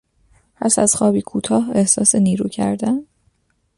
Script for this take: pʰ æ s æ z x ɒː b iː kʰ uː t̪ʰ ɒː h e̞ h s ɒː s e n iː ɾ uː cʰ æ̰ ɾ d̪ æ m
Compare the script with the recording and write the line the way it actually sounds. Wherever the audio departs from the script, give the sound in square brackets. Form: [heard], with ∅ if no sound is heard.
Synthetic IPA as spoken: pʰ æ s æ z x ɒː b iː kʰ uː t̪ʰ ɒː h e̞ h s ɒː s e n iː ɾ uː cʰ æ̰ ɾ d̪ æ [n]